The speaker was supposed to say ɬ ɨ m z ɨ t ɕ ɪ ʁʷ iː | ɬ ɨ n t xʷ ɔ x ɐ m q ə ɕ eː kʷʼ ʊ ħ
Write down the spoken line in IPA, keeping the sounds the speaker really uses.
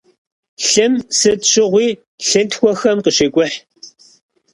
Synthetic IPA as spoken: ɬ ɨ m s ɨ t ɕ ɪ ʁʷ iː | ɬ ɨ n t xʷ ɔ x ɐ m q ə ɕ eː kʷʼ ʊ ħ

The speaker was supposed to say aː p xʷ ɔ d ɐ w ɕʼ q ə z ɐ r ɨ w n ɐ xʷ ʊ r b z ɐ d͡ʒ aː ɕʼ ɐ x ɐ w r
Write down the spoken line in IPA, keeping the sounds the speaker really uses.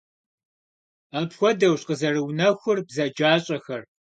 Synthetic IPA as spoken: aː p xʷ ɔ d ɐ w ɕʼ q ə z ɐ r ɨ w n ɐ xʷ ʊ r b z ɐ d͡ʒ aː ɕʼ ɐ x ɐ r

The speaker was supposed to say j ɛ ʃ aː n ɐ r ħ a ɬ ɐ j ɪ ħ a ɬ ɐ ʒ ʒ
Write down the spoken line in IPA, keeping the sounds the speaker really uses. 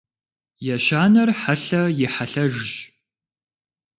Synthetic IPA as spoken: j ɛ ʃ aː n ɐ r ħ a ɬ ɐ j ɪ ħ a ɬ ɐ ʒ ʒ

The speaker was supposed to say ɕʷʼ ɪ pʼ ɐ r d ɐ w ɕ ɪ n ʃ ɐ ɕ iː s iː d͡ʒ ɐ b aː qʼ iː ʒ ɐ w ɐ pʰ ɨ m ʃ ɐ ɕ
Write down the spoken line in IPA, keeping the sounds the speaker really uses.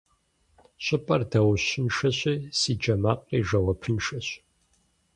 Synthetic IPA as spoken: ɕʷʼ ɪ pʼ ɐ r d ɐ w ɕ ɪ n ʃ ɐ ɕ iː s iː d͡ʒ ɐ m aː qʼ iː ʒ ɐ w ɐ pʰ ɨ n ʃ ɐ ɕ

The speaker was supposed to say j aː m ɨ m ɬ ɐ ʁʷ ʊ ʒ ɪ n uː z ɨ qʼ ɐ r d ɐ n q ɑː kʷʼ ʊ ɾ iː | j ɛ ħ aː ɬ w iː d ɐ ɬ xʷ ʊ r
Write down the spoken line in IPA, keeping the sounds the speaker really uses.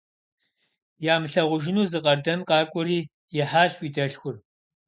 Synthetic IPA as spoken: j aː m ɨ ɬ ɐ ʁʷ ʊ ʒ ɪ n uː z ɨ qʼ ɐ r d ɐ n q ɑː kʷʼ ʊ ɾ iː | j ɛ ħ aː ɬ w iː d ɐ ɬ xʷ ʊ r

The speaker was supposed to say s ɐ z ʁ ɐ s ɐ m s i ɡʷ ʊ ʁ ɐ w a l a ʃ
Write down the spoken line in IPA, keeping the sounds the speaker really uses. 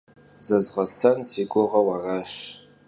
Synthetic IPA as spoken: z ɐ z ʁ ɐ s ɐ n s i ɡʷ ʊ ʁ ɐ w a r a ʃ

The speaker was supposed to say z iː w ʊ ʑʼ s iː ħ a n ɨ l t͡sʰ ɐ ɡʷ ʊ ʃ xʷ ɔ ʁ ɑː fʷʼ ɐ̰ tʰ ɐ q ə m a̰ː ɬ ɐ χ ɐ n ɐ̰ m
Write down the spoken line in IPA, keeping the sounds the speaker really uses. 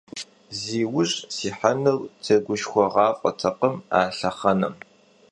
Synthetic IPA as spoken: z iː w ʊ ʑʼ s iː ħ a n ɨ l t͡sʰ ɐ ɡʷ ʊ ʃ xʷ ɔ ʁ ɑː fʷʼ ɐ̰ tʰ ɐ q ə m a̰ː ɬ ɐ χ ɐ n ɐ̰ m

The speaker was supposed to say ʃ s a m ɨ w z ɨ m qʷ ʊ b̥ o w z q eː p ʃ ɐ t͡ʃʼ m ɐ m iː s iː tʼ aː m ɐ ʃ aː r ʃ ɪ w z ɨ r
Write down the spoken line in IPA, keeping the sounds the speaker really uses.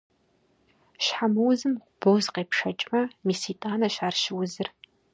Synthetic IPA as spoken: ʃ ħ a m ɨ w z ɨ m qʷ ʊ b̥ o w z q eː p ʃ ɐ t͡ʃʼ m ɐ m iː s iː tʼ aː n ɐ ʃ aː r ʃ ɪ w z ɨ r

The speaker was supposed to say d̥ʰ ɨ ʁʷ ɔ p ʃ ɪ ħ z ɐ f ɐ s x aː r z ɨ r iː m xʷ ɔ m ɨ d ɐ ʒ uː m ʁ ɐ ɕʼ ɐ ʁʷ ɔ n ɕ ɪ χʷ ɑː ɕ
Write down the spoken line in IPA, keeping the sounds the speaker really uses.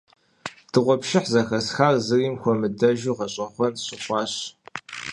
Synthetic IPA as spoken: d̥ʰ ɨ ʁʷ ɔ p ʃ ɪ ħ z ɐ x ɐ s x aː r z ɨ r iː m xʷ ɔ m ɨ d ɐ ʒ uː ʁ ɐ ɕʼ ɐ χʷ ɔ n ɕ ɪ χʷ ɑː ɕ

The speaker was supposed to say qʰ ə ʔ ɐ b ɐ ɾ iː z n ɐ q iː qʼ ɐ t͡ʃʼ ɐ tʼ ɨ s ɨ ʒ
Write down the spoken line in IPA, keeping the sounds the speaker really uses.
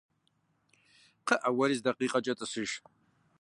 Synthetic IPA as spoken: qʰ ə ʔ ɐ w ɐ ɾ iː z d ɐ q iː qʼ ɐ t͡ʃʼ ɐ tʼ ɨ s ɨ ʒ

